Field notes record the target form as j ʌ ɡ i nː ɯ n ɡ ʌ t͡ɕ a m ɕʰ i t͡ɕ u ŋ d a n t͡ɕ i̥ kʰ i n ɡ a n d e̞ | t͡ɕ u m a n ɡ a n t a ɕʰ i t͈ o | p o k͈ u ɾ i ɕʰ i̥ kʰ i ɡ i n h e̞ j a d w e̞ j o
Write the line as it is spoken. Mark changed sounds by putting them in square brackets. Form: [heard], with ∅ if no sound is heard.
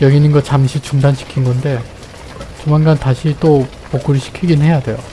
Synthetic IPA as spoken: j ʌ ɡ i [n] ɯ n ɡ ʌ t͡ɕ a m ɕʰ i t͡ɕ u ŋ d a n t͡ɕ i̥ kʰ i n ɡ [ʌ] n d e̞ | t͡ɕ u m a n ɡ a n t a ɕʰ i t͈ o | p o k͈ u ɾ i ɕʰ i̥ kʰ i ɡ i n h e̞ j a d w e̞ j o